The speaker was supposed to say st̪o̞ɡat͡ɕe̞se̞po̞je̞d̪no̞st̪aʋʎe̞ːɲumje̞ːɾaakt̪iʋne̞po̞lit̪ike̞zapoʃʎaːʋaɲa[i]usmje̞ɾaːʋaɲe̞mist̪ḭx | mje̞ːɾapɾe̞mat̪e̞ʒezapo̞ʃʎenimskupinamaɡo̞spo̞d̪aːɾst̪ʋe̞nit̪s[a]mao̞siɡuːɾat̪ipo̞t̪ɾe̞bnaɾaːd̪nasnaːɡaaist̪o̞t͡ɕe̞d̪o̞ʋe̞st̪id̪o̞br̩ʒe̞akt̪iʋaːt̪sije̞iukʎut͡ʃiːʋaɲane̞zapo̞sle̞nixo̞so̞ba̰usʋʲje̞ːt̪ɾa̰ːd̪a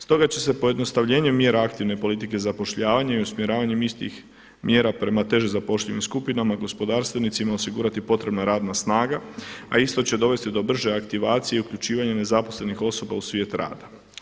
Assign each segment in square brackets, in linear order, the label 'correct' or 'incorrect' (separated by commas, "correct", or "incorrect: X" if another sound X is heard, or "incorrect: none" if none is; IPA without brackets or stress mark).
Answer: correct, incorrect: i